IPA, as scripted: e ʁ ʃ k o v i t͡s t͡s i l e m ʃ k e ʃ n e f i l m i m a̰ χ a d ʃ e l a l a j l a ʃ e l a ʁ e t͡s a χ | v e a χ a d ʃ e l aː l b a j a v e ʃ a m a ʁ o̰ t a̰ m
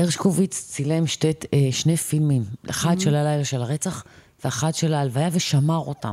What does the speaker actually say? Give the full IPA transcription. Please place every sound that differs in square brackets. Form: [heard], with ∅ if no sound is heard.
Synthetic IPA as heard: e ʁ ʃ k o v i t͡s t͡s i l e m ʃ [t] e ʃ n e f i l m i m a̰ χ a d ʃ e l a l a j l a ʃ e l a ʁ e t͡s a χ | v e a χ a d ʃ e l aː l [v] a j a v e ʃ a m a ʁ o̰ t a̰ m